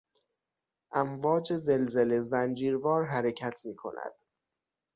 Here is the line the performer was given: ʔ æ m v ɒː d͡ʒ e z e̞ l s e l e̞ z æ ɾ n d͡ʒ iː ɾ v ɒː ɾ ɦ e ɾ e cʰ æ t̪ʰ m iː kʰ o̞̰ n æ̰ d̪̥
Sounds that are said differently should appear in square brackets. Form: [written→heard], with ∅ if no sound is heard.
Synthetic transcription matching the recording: ʔ æ m v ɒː d͡ʒ e z e̞ l [s→z] e l e̞ z æ [ɾ→∅] n d͡ʒ iː ɾ v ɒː ɾ ɦ [e→æ] ɾ e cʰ æ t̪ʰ m iː kʰ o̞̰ n æ̰ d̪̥